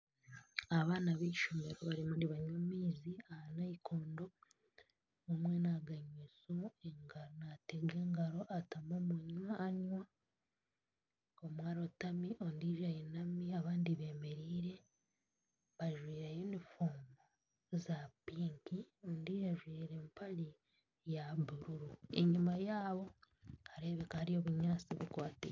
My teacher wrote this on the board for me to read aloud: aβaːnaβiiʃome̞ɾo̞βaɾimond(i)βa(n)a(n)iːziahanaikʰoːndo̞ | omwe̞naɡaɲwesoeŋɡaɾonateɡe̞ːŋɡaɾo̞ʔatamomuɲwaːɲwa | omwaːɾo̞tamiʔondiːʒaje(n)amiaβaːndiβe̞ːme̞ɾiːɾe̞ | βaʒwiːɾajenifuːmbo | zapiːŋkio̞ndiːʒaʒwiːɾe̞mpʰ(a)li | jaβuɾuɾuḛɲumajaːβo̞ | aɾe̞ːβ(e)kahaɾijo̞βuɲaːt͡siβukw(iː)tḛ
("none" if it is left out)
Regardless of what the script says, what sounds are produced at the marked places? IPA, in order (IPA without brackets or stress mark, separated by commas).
i, ɲ, m, n, a, e, aː